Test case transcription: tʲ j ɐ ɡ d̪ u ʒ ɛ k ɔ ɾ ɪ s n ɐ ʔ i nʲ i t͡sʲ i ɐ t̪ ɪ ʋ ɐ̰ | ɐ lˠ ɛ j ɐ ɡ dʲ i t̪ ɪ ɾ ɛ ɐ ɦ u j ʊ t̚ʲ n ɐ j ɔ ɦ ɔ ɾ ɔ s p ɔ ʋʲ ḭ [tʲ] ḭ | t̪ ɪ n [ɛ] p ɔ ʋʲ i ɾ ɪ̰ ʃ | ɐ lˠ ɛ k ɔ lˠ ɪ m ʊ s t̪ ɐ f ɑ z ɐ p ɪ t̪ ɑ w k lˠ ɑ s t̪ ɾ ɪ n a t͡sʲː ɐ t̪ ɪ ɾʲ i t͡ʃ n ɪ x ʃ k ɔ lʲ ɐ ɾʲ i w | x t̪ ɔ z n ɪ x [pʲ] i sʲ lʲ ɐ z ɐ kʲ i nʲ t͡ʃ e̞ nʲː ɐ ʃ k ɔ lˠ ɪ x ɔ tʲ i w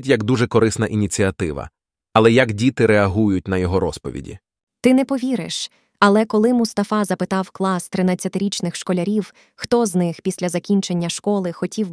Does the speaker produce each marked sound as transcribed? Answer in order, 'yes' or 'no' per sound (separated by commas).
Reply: no, yes, yes